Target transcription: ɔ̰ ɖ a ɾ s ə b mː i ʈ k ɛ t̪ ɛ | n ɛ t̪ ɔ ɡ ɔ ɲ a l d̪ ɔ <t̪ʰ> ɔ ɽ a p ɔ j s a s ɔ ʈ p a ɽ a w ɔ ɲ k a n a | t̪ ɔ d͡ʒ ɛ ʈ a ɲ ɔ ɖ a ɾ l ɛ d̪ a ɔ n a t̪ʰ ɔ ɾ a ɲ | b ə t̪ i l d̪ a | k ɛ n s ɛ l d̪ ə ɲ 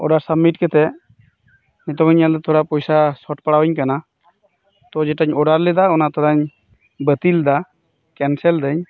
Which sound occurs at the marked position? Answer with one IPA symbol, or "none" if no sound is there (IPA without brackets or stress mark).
t̪ʰ